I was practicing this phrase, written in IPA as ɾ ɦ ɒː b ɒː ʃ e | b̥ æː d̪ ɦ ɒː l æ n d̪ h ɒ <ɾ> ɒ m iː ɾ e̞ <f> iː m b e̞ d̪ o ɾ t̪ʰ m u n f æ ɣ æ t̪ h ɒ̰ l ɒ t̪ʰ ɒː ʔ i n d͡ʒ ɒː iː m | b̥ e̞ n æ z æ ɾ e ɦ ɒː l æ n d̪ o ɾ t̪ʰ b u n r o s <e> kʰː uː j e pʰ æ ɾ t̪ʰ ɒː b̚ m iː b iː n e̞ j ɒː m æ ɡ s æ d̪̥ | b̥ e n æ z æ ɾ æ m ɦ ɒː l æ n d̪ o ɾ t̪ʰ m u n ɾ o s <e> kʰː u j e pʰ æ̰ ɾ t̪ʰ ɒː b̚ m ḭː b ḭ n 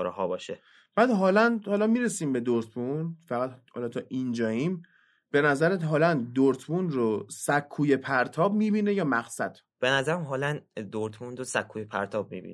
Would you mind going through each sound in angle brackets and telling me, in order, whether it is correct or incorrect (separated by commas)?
incorrect, incorrect, incorrect, incorrect